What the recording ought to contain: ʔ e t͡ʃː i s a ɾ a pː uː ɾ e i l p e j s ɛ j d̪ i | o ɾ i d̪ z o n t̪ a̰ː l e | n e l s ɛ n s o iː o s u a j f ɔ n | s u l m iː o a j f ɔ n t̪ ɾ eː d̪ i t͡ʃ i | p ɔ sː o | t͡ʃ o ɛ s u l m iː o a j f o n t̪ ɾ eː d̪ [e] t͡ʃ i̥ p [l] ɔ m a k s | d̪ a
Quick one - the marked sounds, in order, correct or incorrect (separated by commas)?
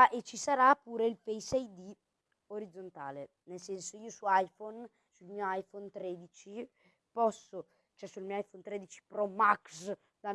incorrect, incorrect